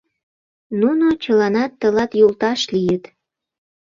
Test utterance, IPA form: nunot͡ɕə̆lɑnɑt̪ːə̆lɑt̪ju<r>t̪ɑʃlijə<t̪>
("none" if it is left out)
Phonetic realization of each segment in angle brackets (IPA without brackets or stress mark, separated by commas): l, t̪